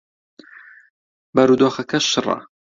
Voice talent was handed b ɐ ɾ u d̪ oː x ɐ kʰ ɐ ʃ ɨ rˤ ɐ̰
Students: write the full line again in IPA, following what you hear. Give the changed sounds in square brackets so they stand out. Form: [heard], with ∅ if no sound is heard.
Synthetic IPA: b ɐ ɾ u d̪ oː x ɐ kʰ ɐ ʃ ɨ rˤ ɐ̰